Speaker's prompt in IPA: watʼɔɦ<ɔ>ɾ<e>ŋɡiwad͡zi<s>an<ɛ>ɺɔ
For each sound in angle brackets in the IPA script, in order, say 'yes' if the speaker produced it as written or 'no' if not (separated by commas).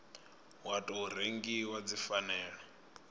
no, yes, no, no